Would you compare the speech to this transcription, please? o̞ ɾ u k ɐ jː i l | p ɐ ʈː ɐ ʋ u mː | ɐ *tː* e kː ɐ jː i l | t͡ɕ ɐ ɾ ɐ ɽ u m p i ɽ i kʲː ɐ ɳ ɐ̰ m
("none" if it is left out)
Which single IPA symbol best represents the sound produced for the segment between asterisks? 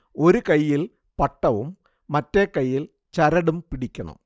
tː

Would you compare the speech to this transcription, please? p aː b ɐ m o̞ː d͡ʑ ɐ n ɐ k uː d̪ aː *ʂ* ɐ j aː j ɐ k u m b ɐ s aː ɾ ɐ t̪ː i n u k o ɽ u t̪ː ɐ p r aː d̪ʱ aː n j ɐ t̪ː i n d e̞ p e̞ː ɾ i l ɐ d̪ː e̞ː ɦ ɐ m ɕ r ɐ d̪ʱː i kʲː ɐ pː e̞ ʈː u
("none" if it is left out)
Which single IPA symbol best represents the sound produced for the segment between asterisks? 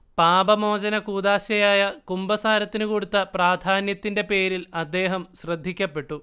ɕ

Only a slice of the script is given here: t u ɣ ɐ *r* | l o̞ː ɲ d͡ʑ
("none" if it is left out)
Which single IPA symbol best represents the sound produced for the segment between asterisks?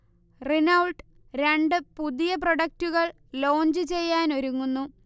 ɭ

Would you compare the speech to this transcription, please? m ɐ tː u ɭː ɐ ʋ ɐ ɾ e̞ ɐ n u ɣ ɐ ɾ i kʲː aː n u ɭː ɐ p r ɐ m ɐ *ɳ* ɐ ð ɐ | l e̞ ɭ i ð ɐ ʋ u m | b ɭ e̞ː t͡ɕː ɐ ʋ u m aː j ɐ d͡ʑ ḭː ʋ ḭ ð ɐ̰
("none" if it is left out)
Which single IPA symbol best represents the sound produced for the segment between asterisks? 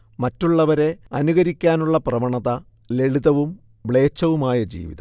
ɳ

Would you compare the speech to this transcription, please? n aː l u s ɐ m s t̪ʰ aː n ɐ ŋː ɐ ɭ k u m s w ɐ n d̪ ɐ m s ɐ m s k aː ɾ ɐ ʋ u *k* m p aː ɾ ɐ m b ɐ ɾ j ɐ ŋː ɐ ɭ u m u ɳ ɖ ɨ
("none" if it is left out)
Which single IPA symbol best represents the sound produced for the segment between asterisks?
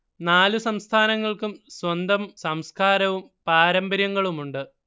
none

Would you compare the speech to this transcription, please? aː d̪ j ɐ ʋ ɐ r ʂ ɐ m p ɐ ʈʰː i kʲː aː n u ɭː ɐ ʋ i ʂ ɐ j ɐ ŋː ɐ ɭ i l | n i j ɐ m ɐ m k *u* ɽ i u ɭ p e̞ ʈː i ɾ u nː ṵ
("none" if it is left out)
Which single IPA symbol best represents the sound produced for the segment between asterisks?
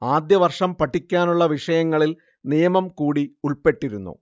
uː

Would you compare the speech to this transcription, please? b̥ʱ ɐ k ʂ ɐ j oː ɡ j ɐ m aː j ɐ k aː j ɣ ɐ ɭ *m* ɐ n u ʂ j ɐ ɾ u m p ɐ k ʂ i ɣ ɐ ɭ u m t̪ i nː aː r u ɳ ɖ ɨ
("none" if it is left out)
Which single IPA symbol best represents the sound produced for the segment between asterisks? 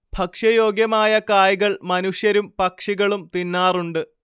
m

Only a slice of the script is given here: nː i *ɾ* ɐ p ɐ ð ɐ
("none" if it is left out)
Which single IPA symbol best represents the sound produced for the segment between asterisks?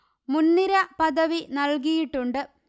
ɾ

